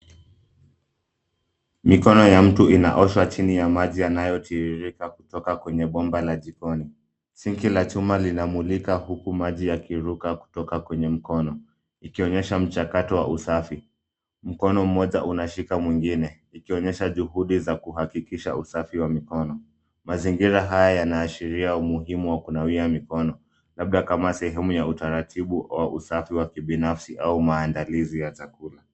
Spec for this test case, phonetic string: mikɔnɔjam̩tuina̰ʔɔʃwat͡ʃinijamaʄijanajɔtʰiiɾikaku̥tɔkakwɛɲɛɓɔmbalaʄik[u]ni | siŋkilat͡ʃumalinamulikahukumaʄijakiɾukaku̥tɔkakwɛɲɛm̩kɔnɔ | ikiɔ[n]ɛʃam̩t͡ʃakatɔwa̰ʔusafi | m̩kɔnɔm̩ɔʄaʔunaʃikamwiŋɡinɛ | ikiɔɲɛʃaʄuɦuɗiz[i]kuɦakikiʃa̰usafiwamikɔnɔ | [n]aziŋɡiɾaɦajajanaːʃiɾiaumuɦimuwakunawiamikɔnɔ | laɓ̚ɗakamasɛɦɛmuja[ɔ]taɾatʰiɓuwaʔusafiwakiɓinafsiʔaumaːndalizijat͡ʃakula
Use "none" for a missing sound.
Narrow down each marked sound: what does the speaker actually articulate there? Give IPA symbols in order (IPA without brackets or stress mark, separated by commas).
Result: ɔ, ɲ, a, m, u